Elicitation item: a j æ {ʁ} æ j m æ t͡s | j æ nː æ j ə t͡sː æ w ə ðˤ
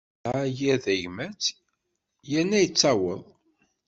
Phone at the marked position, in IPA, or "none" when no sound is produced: ð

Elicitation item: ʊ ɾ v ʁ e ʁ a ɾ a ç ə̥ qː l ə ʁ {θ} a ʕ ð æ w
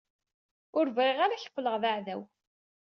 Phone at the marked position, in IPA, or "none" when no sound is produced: ð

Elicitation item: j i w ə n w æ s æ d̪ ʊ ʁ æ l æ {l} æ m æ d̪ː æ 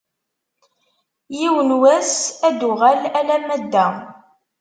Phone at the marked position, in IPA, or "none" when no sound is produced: l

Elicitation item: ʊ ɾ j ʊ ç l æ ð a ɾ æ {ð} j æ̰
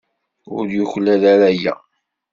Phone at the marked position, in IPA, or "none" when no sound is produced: none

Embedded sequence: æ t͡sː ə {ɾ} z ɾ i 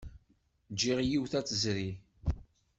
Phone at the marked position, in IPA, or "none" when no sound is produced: none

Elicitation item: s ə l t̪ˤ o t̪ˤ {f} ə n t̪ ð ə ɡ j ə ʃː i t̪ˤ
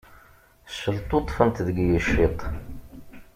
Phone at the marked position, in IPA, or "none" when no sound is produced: f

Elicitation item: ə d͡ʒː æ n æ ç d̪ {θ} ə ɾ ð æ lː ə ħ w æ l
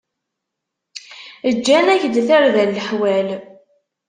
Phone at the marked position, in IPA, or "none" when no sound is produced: θ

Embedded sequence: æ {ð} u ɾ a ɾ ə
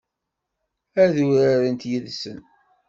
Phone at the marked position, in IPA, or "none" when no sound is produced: ð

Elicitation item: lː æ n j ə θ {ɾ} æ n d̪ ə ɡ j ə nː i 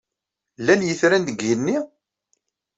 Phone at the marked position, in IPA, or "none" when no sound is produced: ɾ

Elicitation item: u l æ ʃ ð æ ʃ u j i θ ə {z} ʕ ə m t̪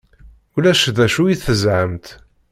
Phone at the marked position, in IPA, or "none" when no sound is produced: z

